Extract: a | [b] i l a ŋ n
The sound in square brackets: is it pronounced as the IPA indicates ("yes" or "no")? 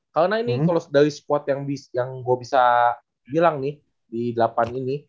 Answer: yes